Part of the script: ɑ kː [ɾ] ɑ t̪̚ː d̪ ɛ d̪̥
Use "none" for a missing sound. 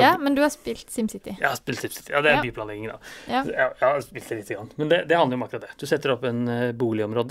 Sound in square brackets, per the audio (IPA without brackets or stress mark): ɾ